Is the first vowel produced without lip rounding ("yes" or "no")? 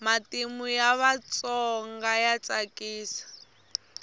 yes